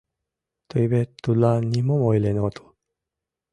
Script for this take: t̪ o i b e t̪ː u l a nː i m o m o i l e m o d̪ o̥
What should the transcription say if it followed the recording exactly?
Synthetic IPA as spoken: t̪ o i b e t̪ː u l a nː i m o m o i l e n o t̪ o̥